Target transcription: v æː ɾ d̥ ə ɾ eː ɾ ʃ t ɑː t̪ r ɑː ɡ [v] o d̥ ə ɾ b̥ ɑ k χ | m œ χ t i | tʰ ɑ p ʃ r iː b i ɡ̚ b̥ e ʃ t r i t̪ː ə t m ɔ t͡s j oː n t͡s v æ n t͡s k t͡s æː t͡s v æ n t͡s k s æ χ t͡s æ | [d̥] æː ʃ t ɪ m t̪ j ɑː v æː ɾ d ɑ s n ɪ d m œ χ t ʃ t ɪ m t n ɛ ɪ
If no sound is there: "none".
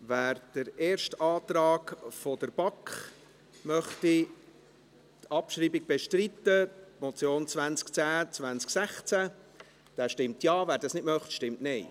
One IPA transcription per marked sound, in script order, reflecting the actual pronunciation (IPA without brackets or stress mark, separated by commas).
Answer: f, d̥